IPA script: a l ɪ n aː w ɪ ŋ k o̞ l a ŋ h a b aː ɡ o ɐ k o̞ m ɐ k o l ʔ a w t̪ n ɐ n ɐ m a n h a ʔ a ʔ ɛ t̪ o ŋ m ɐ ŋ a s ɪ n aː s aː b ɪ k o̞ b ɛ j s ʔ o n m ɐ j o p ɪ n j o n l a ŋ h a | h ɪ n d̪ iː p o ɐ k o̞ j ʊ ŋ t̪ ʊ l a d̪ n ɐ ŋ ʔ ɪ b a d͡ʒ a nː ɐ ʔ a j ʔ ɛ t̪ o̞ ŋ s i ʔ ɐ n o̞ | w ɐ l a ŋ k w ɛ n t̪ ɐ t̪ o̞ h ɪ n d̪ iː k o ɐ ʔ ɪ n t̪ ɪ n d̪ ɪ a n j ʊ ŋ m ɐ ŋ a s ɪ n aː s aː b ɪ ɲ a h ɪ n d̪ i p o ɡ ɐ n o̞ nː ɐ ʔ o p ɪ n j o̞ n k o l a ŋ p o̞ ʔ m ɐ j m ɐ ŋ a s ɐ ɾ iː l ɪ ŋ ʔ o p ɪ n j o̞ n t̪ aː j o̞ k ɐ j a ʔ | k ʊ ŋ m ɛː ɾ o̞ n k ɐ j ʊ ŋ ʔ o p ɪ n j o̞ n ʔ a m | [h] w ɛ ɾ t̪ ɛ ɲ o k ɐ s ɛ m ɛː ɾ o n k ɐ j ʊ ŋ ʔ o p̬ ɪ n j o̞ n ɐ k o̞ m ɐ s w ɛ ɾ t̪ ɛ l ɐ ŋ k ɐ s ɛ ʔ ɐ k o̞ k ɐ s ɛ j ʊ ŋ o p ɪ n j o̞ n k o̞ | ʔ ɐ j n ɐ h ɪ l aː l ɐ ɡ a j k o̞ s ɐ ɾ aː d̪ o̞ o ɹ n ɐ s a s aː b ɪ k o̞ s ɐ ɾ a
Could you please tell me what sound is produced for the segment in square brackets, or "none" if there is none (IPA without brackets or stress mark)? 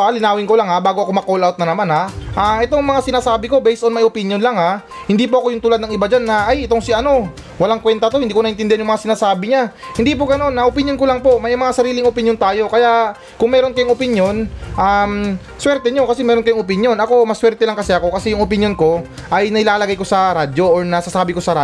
s